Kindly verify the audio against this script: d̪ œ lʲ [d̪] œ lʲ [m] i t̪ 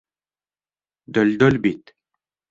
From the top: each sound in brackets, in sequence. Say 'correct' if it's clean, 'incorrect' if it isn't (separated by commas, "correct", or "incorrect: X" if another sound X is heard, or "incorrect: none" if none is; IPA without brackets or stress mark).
correct, incorrect: b